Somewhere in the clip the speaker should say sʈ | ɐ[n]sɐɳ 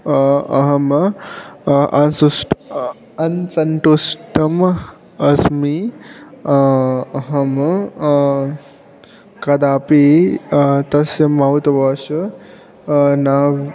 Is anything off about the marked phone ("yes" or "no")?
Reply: no